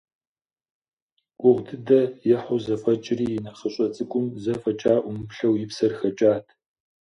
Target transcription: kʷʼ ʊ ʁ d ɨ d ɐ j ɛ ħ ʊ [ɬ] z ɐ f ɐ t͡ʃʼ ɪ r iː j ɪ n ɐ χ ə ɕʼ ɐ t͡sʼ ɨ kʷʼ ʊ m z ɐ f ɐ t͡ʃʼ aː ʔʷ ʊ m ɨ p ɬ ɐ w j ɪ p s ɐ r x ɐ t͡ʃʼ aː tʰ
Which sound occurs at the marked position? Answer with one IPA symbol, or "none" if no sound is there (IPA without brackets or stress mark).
none